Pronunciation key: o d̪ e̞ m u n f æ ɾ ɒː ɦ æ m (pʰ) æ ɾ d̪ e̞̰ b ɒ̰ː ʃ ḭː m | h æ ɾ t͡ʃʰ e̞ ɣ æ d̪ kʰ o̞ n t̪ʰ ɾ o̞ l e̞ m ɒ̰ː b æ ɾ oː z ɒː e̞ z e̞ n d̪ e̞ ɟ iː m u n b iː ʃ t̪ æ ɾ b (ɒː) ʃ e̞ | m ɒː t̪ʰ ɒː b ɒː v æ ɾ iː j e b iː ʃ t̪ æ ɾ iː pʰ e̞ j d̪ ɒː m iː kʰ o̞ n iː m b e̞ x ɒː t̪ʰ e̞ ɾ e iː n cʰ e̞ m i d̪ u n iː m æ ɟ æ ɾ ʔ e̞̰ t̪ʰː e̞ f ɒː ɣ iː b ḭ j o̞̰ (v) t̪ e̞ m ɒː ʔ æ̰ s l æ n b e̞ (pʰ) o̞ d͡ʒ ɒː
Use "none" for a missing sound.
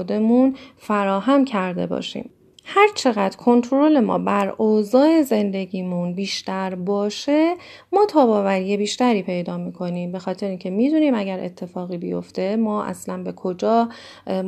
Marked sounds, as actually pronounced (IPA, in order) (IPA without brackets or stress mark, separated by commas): cʰ, ɒː, f, kʰ